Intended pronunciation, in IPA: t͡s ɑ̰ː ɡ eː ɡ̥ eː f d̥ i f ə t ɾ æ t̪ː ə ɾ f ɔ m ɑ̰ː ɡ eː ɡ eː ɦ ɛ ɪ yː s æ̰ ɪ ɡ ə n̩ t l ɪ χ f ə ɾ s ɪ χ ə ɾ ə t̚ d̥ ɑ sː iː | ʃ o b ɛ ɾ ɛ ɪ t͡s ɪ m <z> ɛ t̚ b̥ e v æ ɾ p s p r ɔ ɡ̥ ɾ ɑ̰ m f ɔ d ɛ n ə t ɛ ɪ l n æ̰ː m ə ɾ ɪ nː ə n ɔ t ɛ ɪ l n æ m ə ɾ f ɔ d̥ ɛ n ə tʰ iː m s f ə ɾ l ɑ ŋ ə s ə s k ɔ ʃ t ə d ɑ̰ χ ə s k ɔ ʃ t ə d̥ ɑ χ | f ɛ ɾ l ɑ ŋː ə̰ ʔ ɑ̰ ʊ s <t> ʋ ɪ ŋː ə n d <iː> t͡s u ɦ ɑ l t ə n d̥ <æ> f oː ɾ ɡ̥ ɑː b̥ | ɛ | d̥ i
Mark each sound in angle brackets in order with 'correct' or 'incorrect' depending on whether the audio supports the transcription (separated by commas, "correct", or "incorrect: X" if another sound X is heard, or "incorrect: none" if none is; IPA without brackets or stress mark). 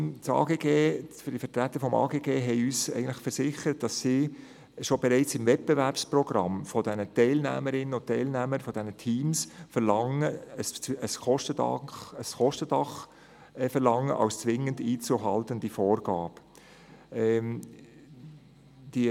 incorrect: v, incorrect: t͡s, correct, incorrect: i